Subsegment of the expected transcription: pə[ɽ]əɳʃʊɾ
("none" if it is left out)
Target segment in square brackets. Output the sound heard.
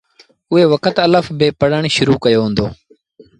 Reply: ɽ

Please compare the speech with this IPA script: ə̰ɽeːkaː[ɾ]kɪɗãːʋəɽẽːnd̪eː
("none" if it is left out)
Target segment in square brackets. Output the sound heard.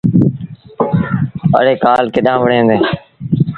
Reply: l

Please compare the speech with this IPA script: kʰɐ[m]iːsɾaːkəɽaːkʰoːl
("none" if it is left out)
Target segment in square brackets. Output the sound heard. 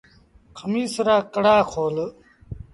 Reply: m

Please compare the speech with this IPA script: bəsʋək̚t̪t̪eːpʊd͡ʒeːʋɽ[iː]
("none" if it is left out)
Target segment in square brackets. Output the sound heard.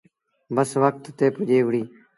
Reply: iː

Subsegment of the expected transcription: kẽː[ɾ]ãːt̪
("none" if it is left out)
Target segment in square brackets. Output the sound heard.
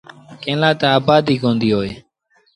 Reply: l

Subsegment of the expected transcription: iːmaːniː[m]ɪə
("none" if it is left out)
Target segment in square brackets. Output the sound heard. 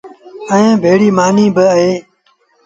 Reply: b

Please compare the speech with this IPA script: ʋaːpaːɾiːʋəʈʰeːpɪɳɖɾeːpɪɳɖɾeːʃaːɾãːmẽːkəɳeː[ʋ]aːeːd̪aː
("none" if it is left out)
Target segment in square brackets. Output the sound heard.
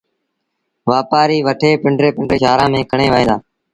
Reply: ʋ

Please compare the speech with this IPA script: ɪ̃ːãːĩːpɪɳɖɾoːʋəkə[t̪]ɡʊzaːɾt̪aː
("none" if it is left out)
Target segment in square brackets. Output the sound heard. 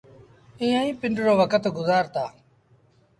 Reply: t̪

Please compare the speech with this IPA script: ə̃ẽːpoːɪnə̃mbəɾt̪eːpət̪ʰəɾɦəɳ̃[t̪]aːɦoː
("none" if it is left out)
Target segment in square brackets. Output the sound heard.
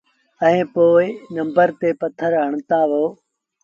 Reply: t̪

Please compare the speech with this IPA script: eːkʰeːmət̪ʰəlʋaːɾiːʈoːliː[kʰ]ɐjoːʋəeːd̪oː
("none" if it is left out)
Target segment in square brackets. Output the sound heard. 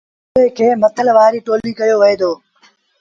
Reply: k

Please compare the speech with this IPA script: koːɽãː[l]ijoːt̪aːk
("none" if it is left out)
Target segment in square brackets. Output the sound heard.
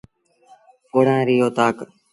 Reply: ɾ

